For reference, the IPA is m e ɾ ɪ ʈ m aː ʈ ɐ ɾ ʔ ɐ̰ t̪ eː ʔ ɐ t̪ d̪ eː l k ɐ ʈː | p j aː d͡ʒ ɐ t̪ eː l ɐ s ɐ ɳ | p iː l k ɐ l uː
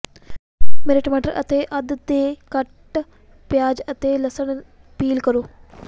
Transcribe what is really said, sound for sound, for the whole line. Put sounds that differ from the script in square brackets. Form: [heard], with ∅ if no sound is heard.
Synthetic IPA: m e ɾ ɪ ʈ m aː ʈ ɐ ɾ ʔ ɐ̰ t̪ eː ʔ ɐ [d̪] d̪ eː [∅] k ɐ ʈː | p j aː d͡ʒ ɐ t̪ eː l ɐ s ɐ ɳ | p iː l k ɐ [ɾ] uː